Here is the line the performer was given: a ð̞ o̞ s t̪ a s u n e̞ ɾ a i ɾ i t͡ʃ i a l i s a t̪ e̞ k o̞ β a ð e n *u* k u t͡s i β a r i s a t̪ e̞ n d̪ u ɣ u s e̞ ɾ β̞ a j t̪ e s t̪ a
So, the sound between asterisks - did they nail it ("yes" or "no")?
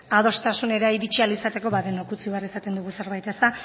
no